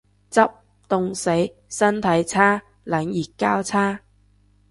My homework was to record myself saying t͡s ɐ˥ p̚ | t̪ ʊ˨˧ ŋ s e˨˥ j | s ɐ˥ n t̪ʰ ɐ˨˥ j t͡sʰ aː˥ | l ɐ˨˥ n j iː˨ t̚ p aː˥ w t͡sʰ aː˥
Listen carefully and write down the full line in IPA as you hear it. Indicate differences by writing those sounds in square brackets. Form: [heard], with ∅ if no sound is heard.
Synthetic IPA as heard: t͡s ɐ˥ p̚ | t̪ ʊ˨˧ ŋ s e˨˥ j | s ɐ˥ n t̪ʰ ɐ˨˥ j t͡sʰ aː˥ | l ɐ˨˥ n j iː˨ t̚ [k] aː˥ w t͡sʰ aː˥

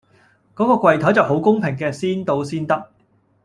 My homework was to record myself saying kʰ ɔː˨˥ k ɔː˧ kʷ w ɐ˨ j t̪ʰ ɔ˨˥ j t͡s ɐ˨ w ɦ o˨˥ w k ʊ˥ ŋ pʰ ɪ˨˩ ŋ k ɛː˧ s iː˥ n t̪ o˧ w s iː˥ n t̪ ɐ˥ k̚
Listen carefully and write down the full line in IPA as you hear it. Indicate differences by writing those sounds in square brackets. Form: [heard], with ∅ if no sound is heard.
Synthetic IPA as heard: [k] ɔː˨˥ k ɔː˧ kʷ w ɐ˨ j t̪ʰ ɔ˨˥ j t͡s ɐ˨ w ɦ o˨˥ w k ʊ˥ ŋ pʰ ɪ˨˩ ŋ k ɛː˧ s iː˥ n t̪ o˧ w s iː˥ n t̪ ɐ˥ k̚

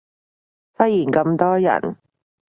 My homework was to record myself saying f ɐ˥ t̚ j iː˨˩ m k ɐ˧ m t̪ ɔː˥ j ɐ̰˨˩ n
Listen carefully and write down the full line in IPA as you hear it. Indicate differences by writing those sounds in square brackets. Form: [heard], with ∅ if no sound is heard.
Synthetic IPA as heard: f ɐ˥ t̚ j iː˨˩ [n] k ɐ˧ m t̪ ɔː˥ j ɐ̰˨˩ n

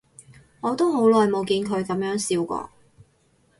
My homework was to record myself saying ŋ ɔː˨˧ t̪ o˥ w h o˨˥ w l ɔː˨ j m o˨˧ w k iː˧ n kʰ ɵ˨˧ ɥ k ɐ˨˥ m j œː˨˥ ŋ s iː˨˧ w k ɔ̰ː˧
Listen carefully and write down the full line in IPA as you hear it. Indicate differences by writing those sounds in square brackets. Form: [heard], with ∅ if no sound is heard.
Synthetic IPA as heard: ŋ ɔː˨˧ t̪ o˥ w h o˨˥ w l ɔː˨ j m o˨˧ w k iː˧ n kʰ ɵ˨˧ ɥ k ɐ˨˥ m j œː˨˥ ŋ s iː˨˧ w k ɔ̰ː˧

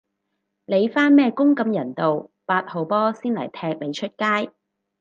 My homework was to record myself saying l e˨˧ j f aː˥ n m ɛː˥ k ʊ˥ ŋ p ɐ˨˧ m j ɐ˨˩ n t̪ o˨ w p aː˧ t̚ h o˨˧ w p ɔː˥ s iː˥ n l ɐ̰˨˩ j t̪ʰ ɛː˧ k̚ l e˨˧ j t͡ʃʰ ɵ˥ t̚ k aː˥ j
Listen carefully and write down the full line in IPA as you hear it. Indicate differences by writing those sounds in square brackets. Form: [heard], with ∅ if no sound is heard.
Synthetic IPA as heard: l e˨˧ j f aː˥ n m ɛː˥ k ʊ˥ ŋ [k] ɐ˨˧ m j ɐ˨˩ n t̪ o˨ w p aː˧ t̚ h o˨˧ w p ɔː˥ s iː˥ n l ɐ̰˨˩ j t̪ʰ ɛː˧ k̚ l e˨˧ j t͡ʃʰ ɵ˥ t̚ k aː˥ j

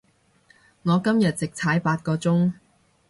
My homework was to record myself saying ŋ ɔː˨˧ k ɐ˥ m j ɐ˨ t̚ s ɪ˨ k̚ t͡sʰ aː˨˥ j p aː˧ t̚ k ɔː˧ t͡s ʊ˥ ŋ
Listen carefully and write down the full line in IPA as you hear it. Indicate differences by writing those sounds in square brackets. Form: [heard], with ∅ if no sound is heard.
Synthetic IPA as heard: ŋ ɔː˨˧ k ɐ˥ m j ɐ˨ t̚ [t͡s] ɪ˨ k̚ t͡sʰ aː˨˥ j p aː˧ t̚ k ɔː˧ t͡s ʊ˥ ŋ

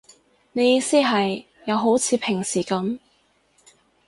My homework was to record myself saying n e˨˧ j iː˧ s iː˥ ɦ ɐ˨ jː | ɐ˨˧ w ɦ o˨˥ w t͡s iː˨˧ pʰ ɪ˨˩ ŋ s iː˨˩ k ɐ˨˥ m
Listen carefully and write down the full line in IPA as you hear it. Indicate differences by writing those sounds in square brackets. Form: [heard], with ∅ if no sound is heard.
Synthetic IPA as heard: n e˨˧ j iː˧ s iː˥ ɦ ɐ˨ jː | ɐ˨˧ w ɦ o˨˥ w [t͡sʰ] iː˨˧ pʰ ɪ˨˩ ŋ s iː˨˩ k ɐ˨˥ m

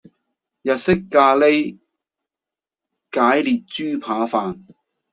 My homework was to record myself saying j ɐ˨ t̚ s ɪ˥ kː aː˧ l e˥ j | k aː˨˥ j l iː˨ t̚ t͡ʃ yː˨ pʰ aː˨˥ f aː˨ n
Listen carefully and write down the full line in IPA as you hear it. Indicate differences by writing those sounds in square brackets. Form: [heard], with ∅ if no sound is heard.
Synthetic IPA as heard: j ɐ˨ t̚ s ɪ˥ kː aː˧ l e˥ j | k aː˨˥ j l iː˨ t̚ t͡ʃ [yː˥] pʰ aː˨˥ f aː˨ n

